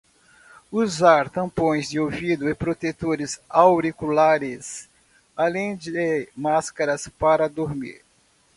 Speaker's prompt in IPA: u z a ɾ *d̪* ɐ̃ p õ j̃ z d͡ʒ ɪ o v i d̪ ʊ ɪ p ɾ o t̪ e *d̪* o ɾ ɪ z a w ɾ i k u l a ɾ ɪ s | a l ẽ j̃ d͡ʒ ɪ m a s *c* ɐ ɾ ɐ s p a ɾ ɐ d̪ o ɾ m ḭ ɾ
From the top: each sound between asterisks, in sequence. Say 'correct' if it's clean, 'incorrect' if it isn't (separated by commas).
incorrect, incorrect, incorrect